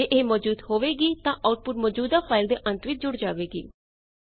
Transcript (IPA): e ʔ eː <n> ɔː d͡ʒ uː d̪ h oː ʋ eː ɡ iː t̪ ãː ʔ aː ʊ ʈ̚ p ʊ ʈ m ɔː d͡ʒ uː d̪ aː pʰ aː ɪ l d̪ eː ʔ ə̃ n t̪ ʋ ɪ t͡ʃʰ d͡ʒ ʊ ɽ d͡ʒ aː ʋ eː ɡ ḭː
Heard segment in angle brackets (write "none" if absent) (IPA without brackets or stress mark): m